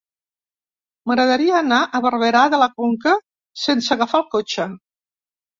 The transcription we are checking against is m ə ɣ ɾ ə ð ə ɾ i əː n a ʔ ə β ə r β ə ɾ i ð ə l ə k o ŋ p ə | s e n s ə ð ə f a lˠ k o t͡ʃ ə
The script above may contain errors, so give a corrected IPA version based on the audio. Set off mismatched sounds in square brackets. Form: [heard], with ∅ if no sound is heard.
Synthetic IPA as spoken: m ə ɣ ɾ ə ð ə ɾ i əː n a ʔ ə β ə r β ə ɾ [a] ð ə l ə k o ŋ [k] ə | s e n s ə [ɣ] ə f a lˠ k o t͡ʃ ə